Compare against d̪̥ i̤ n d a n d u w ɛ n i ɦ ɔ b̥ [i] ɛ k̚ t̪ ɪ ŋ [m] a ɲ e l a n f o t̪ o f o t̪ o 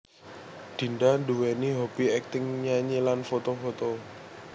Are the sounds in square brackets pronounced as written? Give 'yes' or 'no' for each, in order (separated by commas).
yes, no